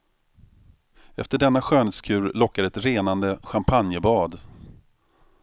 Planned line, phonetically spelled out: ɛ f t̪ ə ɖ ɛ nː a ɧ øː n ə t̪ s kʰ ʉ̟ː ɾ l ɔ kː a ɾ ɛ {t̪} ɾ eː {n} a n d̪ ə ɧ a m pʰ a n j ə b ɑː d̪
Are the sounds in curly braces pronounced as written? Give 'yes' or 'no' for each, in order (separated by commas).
yes, yes